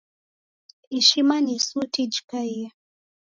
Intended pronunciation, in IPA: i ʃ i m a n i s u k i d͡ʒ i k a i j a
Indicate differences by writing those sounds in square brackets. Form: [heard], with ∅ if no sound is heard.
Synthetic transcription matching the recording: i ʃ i m a n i s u [t] i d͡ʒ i k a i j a